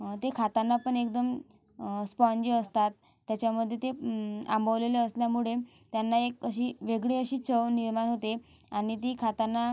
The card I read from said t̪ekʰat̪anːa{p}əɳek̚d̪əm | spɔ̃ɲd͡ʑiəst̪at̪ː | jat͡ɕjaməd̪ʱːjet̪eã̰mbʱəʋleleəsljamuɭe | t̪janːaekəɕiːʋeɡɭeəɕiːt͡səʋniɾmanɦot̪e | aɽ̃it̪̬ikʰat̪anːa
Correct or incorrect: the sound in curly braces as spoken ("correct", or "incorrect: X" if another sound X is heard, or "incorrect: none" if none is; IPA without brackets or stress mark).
correct